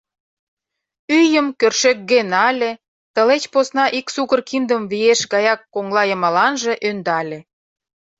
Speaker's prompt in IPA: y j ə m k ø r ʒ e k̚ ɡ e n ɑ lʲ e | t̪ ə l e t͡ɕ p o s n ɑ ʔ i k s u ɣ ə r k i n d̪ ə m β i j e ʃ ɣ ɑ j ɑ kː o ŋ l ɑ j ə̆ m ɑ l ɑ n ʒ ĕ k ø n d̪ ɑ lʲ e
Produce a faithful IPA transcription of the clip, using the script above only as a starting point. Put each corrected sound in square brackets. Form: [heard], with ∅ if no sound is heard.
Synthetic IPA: y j ə m k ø r [ʃ] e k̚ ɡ e n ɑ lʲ e | t̪ ə l e t͡ɕ p o s n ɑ ʔ i k s u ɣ ə r k i n d̪ ə m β i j e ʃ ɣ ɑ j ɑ kː o ŋ l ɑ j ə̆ m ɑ l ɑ n ʒ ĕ [ʔ] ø n d̪ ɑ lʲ e